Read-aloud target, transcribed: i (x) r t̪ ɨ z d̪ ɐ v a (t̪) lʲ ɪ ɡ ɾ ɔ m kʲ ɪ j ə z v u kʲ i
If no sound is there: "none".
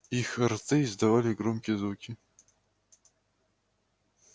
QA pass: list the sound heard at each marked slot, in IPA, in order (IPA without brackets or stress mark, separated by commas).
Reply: x, none